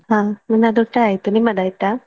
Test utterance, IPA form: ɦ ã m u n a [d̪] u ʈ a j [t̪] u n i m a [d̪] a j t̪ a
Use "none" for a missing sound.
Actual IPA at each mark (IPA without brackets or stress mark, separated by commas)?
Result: d̪, t̪, d̪